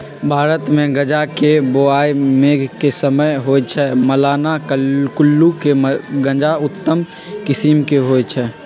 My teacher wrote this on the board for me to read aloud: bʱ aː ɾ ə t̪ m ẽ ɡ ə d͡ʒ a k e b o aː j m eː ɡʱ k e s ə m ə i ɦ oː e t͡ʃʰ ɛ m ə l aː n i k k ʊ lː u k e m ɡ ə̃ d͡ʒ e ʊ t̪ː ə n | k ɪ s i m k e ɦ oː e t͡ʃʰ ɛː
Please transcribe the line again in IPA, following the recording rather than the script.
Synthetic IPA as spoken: bʱ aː ɾ ə t̪ m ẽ ɡ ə d͡ʒ a k e b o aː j m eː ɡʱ k e s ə m ə j ɦ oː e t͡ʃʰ ɛ m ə l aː n a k k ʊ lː u k e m ɡ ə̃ d͡ʒ a ʊ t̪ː ə m | k ɪ s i m k e ɦ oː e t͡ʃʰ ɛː